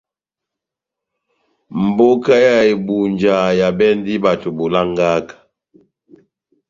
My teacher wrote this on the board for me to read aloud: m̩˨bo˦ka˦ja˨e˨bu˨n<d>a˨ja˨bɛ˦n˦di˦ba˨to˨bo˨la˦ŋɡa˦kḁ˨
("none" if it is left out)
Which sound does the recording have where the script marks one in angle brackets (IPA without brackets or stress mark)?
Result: d͡ʒ